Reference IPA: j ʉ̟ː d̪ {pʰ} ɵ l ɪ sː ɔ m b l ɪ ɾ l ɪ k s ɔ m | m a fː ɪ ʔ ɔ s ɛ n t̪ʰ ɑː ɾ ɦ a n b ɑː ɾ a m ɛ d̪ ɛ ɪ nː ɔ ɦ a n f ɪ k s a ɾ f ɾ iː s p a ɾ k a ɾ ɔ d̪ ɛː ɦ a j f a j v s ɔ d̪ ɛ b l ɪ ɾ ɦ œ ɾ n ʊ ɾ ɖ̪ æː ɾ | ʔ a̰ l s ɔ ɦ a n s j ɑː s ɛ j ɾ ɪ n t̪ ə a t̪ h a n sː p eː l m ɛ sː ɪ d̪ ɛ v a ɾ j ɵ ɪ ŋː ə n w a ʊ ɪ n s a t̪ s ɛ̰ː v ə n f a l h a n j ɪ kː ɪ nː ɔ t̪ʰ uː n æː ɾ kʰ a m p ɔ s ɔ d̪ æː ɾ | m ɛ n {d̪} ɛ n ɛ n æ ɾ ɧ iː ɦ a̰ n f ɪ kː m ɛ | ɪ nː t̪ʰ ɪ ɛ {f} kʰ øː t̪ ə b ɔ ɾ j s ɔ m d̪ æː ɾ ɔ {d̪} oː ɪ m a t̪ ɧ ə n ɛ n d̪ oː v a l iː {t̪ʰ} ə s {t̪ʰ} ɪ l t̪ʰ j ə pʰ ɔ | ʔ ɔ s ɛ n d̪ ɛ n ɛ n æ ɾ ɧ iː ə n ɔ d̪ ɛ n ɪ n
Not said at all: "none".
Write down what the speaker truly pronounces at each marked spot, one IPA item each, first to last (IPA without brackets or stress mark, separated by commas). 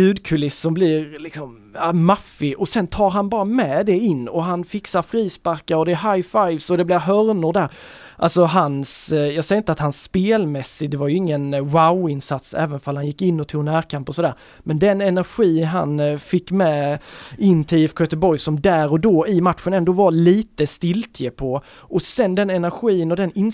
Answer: kʰ, d̪, f, d̪, t̪, t̪